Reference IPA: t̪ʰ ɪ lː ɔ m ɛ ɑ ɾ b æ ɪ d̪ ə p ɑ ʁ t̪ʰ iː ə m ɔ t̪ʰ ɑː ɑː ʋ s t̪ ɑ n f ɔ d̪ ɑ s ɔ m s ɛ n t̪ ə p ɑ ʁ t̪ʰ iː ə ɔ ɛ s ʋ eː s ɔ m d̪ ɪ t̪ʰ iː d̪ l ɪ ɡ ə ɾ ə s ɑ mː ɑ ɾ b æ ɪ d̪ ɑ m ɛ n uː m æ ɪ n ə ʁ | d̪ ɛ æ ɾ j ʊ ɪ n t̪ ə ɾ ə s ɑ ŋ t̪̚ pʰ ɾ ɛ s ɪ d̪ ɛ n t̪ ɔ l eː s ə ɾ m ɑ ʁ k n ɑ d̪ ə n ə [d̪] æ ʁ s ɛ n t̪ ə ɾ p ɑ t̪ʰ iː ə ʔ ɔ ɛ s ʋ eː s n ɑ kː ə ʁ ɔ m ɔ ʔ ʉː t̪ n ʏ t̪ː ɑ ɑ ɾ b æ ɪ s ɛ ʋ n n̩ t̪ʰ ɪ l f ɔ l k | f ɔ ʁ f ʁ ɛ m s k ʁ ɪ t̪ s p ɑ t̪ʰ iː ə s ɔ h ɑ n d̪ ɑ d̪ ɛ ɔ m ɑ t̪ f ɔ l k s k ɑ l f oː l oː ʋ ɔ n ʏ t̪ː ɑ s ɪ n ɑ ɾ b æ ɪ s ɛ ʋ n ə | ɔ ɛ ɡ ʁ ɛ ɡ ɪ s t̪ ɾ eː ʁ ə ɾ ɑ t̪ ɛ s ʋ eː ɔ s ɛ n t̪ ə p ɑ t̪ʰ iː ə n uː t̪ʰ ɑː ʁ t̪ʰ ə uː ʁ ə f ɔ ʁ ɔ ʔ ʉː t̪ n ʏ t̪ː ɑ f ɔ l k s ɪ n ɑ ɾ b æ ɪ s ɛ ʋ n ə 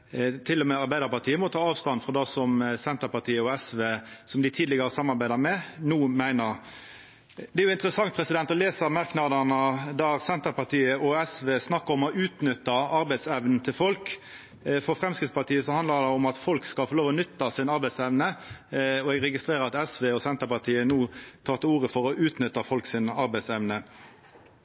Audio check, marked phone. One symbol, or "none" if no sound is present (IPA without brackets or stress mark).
d̪